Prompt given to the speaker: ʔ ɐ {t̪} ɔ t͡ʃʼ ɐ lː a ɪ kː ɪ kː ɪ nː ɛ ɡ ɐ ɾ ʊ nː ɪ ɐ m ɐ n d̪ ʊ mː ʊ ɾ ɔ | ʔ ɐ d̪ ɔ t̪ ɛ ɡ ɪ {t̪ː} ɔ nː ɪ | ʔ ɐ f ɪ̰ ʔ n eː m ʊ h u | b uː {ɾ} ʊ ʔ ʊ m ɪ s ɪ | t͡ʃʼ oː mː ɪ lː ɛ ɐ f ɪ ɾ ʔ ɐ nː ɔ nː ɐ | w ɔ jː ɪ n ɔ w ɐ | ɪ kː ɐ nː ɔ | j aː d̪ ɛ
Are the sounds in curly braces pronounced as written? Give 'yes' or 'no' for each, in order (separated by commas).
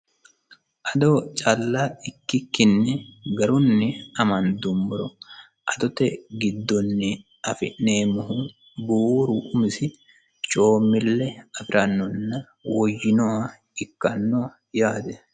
no, no, yes